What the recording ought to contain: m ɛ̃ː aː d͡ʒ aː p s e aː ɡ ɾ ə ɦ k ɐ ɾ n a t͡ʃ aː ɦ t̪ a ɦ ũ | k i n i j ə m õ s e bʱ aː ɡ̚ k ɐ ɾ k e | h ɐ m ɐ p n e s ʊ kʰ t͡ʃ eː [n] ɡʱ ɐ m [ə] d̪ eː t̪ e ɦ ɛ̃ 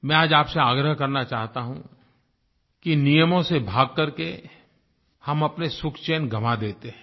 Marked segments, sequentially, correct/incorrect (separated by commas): correct, incorrect